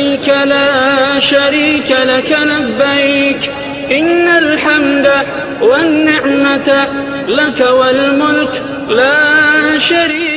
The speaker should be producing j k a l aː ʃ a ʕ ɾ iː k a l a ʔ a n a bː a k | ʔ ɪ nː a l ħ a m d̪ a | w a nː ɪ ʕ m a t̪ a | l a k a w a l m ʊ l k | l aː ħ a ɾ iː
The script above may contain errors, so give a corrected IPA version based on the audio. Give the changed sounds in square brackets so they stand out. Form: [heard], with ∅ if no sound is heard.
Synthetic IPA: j k a l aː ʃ a [∅] ɾ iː k a l a [k] a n a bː a k | ʔ ɪ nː a l ħ a m d̪ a | w a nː ɪ ʕ m a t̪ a | l a k a w a l m ʊ l k | l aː [ʃ] a ɾ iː